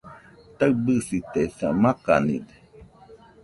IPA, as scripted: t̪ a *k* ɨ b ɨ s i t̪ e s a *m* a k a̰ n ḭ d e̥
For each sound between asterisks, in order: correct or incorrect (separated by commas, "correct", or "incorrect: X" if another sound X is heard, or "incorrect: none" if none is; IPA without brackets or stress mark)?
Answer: incorrect: none, correct